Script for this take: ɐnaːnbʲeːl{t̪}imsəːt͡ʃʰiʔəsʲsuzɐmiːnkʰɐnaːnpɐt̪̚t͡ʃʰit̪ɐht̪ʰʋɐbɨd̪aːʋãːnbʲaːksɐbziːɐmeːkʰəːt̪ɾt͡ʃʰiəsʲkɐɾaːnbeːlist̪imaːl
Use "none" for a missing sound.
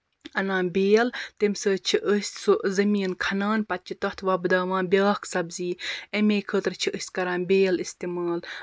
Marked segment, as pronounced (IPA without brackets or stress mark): t̪